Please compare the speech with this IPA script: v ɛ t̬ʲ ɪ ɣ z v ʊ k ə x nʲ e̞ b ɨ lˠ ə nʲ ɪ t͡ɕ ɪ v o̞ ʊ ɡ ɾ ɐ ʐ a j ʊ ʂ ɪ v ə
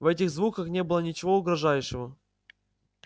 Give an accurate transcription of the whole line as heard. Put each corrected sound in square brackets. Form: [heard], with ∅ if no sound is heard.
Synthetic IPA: v ɛ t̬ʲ ɪ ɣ z v [u] k ə x nʲ e̞ b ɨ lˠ ə nʲ ɪ t͡ɕ ɪ v o̞ ʊ ɡ ɾ ɐ ʐ a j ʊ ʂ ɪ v ə